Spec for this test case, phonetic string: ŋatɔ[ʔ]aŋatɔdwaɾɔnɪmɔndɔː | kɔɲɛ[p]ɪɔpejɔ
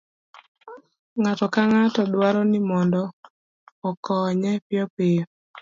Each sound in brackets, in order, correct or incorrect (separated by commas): incorrect, correct